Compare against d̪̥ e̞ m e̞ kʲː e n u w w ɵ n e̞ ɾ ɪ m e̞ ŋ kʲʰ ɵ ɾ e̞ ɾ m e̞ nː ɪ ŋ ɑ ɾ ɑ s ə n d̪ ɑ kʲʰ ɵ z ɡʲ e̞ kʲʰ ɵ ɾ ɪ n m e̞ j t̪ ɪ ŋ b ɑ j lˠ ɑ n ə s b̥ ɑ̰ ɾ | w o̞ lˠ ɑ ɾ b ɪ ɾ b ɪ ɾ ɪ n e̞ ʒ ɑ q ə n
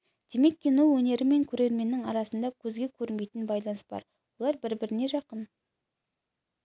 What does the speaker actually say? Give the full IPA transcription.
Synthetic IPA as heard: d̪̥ e̞ m e̞ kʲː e n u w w ɵ n e̞ ɾ ɪ m e̞ ŋ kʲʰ ɵ ɾ e̞ ɾ m e̞ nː ɪ ŋ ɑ ɾ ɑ s ə n d̪ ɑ kʲʰ ɵ z ɡʲ e̞ kʲʰ ɵ ɾ ɪ n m e̞ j t̪ ɪ n b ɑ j lˠ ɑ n ə s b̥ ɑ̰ ɾ | w o̞ lˠ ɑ ɾ b ɪ ɾ b ɪ ɾ ɪ n e̞ ʒ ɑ q ə n